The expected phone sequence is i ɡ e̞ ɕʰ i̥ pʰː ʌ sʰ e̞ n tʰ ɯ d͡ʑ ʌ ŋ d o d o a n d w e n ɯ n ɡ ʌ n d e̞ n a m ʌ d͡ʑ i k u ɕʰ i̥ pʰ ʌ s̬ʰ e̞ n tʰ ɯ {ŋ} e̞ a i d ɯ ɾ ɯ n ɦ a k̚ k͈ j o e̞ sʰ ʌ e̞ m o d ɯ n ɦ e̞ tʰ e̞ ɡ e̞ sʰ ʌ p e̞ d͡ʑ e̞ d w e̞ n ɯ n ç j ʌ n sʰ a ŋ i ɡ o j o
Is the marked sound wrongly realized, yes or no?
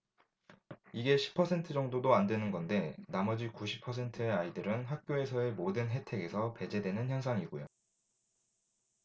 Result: yes